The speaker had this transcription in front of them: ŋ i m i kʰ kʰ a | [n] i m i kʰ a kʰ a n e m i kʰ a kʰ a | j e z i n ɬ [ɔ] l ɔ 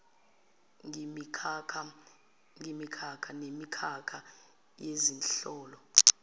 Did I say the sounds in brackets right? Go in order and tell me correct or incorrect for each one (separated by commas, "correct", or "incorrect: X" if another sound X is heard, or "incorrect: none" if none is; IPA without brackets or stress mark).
incorrect: ŋ, incorrect: ɔː